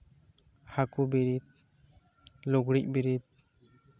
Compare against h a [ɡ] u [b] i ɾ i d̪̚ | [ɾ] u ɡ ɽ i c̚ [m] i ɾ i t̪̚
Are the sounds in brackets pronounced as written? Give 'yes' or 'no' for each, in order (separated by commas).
no, yes, no, no